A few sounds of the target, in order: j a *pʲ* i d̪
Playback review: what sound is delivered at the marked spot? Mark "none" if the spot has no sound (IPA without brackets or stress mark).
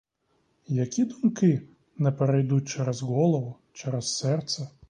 kʲ